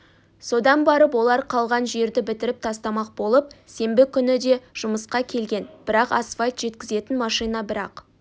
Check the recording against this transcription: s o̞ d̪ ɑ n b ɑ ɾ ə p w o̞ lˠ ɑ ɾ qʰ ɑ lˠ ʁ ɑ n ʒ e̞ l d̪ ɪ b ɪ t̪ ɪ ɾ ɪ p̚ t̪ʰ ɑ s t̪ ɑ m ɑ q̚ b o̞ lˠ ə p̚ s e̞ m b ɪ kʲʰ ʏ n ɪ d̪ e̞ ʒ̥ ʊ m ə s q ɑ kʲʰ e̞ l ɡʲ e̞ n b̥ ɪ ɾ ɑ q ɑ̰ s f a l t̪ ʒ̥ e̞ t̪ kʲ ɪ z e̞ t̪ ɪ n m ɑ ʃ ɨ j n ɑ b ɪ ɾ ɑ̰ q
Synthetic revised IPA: s o̞ d̪ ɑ n b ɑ ɾ ə p w o̞ lˠ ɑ ɾ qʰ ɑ lˠ ʁ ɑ n ʒ e̞ ɾ d̪ ɪ b ɪ t̪ ɪ ɾ ɪ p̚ t̪ʰ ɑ s t̪ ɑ m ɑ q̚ b o̞ lˠ ə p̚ s e̞ m b ɪ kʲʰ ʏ n ɪ d̪ e̞ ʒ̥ ʊ m ə s q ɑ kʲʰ e̞ l ɡʲ e̞ n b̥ ɪ ɾ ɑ q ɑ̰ s f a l t̪ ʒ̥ e̞ t̪ kʲ ɪ z e̞ t̪ ɪ n m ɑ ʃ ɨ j n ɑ b ɪ ɾ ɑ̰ q